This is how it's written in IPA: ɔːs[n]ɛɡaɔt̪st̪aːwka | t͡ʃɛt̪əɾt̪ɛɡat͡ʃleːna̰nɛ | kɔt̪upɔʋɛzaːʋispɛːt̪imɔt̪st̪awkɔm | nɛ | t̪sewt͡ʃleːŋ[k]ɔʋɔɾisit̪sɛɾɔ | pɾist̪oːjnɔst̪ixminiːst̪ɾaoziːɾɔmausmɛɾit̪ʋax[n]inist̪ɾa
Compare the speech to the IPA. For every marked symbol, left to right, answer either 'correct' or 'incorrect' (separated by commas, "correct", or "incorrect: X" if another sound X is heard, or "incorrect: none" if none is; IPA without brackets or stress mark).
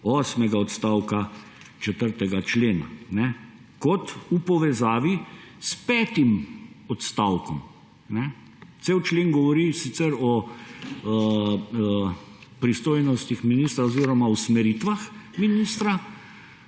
incorrect: m, incorrect: ɡ, incorrect: m